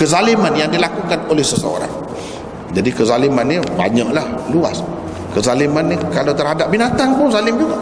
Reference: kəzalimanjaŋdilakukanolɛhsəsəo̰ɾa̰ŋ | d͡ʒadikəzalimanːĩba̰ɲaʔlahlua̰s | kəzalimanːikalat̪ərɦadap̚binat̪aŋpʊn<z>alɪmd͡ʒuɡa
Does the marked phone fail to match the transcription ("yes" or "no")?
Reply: no